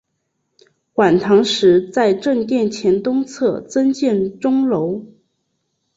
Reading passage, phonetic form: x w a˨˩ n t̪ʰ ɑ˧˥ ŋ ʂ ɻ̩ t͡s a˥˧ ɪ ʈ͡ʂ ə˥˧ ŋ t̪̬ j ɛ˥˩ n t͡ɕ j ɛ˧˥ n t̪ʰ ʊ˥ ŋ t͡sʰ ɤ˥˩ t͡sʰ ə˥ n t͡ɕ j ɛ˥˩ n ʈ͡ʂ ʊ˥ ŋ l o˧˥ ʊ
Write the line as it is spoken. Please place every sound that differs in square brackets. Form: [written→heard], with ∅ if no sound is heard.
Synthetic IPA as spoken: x w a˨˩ n t̪ʰ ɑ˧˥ ŋ ʂ ɻ̩ t͡s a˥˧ ɪ ʈ͡ʂ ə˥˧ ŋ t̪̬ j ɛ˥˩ n [t͡ɕ→t͡ɕʰ] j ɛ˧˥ n [t̪ʰ→t̪] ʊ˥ ŋ t͡sʰ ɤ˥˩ [t͡sʰ→t͡s] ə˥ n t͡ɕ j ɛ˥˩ n ʈ͡ʂ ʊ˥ ŋ l o˧˥ ʊ